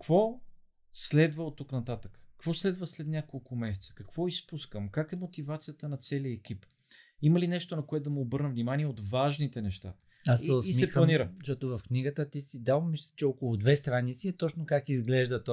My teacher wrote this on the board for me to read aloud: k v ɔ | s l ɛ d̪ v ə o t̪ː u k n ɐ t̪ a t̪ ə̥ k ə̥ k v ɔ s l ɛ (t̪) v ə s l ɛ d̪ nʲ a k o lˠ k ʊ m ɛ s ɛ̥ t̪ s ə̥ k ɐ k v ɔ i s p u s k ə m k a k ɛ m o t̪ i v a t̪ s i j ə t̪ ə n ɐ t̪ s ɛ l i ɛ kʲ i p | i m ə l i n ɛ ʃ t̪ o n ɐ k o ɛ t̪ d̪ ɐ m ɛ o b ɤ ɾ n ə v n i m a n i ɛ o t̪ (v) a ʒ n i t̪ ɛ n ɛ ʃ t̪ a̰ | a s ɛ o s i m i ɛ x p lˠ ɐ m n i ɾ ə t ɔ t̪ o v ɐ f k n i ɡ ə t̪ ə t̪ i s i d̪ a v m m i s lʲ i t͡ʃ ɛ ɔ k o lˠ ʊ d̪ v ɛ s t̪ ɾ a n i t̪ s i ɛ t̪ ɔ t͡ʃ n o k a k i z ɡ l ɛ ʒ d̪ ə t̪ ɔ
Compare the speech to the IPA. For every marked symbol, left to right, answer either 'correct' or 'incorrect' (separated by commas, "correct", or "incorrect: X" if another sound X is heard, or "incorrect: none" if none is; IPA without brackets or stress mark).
incorrect: d̪, correct